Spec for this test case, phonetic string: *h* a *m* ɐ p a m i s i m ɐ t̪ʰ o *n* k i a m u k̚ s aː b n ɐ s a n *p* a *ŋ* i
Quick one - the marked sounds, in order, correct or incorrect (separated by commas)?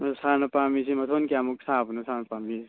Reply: incorrect, incorrect, correct, correct, incorrect